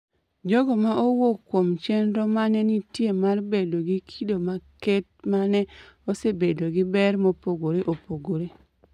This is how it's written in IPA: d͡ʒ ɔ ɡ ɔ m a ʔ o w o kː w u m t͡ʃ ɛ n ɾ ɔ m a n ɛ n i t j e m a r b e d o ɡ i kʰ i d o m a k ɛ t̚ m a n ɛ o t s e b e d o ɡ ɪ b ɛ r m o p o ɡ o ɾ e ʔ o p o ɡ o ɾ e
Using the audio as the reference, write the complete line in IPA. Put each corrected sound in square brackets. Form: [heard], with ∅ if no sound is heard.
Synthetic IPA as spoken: d͡ʒ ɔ ɡ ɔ m a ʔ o w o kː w [o] m t͡ʃ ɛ n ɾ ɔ m a n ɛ n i t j e m a r b e d o ɡ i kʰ i d o m a k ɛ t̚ m a n ɛ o [∅] s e b e d o ɡ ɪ b ɛ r m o p o ɡ o ɾ e ʔ o p o ɡ o ɾ e